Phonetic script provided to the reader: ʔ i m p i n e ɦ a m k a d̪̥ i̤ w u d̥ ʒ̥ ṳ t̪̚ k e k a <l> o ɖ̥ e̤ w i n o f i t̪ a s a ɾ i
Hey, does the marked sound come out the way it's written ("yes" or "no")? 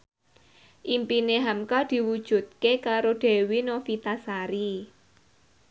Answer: no